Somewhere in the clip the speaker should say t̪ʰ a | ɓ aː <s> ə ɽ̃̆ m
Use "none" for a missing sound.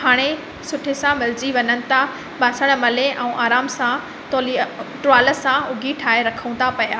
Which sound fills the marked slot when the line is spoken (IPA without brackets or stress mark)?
s